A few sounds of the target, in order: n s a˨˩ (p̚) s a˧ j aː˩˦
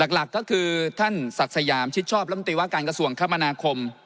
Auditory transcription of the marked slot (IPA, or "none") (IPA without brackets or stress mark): k̚